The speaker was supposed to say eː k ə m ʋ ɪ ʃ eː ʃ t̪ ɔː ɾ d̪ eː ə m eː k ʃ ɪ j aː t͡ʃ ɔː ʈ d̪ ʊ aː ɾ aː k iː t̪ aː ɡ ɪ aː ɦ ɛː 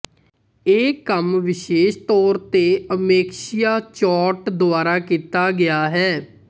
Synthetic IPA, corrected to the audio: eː k ə m ʋ ɪ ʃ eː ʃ t̪ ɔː ɾ t̪ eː ə m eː k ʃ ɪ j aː t͡ʃ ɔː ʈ d̪ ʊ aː ɾ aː k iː t̪ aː ɡ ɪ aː ɦ ɛː